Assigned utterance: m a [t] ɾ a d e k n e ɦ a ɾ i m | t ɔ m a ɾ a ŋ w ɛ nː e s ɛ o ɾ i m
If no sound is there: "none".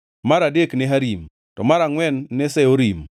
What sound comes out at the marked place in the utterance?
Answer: none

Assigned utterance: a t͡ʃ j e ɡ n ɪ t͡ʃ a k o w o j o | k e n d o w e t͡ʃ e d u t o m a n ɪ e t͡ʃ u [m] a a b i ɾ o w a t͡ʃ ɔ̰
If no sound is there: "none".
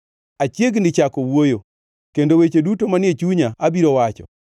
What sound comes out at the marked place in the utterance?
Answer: ɲ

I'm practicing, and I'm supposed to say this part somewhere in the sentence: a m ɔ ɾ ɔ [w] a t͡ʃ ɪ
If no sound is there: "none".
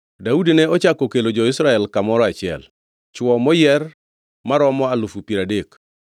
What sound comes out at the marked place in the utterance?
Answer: none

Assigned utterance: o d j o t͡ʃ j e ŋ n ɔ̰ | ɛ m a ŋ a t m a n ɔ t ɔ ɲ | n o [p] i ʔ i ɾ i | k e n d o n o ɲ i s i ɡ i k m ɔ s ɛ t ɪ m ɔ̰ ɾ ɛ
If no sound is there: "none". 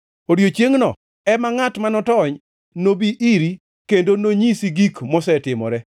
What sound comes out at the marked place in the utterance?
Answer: b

